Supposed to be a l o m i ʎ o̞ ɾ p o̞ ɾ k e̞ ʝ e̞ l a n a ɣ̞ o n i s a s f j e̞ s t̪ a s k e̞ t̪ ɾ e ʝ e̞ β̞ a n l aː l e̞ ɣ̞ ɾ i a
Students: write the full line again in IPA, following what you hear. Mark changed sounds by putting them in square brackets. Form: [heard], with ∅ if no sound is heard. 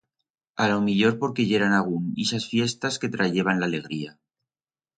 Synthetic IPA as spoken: a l o m i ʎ o̞ ɾ p o̞ ɾ k e̞ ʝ e̞ [ɾ] a n a ɣ̞ [u] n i s a s f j e̞ s t̪ a s k e̞ t̪ ɾ [a] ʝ e̞ β̞ a n l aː l e̞ ɣ̞ ɾ i a